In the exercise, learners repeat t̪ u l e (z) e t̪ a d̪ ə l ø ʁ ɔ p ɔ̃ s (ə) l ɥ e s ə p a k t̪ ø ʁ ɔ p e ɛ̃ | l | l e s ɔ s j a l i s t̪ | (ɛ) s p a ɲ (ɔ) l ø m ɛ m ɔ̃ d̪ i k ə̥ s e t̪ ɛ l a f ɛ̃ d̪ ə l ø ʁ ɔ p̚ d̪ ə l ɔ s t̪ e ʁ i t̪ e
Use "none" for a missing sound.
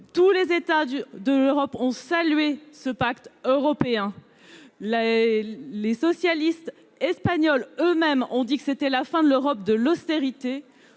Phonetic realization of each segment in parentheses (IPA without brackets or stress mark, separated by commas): z, a, ɛ, ɔ